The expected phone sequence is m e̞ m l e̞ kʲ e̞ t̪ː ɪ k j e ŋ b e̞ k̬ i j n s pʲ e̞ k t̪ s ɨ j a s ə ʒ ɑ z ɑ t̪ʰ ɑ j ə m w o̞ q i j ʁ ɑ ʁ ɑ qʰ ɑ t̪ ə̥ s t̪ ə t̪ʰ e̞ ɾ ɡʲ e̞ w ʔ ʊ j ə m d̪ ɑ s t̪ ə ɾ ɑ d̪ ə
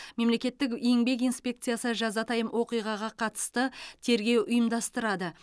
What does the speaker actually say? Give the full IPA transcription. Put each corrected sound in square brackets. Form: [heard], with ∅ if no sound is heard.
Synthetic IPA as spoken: m e̞ m l e̞ kʲ e̞ t̪ː ɪ k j e ŋ b e̞ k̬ i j n s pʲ e̞ k t̪ s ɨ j a s ə ʒ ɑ z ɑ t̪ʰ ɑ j ə m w o̞ q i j ʁ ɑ ʁ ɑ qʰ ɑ t̪ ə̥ s t̪ ə t̪ʰ e̞ ɾ ɡʲ e̞ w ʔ ʊ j ə m d̪ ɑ s t̪ ə ɾ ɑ d̪ ə